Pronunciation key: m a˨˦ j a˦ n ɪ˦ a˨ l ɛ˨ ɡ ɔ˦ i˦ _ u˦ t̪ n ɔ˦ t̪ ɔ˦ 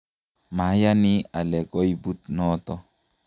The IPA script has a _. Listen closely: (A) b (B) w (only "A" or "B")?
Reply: A